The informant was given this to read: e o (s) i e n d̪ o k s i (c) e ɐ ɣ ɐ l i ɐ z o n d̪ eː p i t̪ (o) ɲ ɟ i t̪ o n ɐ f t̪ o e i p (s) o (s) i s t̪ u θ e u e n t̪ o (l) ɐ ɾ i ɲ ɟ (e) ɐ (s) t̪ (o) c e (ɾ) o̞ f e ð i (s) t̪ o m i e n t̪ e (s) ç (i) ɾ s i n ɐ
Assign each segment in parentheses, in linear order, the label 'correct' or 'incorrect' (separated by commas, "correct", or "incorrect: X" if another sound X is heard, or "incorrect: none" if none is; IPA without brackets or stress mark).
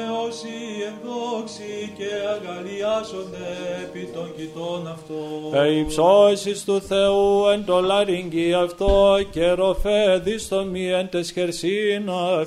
correct, correct, correct, correct, correct, correct, incorrect: i, incorrect: f, correct, correct, correct, correct, incorrect: e